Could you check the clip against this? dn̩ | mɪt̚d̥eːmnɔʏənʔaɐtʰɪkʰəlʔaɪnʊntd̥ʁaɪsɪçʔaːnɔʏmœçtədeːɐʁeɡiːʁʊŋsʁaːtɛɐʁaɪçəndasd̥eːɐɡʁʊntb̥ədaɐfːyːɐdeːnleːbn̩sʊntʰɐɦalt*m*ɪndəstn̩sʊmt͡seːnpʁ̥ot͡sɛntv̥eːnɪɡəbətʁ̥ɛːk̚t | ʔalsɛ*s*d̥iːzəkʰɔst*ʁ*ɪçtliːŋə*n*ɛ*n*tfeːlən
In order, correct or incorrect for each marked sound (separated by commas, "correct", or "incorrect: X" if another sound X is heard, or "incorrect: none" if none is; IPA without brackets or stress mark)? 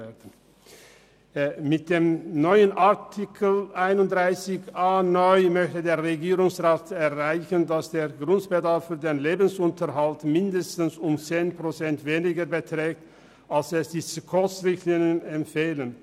correct, correct, correct, correct, incorrect: m